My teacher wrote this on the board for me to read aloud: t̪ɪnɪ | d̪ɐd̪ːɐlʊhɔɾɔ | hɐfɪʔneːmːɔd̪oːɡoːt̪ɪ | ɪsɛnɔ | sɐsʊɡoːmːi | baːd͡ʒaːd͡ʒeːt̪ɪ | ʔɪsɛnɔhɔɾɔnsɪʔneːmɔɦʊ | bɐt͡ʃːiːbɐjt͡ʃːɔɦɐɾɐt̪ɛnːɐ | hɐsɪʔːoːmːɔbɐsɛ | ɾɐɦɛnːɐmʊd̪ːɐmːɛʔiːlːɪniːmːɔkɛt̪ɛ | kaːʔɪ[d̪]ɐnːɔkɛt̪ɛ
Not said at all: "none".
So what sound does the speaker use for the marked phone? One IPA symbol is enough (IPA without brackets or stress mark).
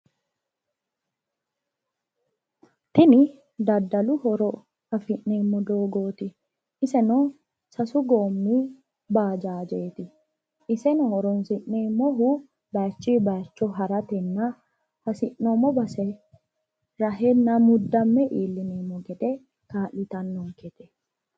t̪